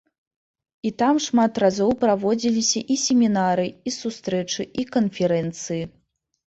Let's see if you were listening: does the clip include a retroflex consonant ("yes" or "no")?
yes